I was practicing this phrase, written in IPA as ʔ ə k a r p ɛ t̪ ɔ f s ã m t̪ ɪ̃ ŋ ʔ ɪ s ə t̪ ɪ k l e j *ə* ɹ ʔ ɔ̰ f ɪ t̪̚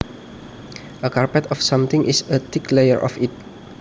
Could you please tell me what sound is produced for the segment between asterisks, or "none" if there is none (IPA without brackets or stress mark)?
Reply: ə